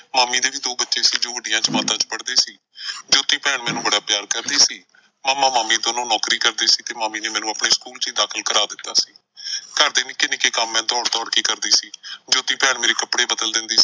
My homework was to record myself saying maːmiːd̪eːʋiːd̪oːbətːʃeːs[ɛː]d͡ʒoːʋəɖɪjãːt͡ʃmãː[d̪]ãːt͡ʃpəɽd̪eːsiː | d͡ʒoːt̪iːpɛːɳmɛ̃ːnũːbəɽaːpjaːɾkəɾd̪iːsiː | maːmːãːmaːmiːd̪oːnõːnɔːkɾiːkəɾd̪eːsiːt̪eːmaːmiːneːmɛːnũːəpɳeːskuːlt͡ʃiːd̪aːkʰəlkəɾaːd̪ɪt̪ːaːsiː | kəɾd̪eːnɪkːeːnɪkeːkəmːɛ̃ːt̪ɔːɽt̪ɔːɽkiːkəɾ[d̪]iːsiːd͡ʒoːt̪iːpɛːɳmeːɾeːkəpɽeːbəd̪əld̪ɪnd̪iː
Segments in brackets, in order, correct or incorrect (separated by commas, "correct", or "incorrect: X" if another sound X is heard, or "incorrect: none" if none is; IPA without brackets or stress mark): incorrect: iː, incorrect: t̪, correct